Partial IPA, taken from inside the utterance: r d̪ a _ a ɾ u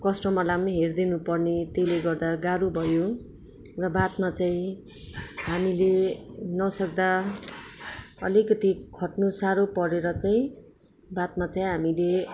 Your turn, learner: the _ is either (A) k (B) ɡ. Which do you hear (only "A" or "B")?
B